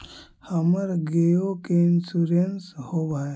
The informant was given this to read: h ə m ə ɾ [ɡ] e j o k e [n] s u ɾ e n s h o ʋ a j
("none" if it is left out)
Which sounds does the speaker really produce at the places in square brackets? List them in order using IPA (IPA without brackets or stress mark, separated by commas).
ɡ, n